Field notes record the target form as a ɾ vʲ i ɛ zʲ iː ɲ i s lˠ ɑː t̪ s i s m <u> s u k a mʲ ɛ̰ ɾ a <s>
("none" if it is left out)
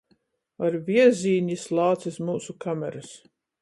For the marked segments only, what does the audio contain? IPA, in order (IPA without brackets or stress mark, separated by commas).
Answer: uː, s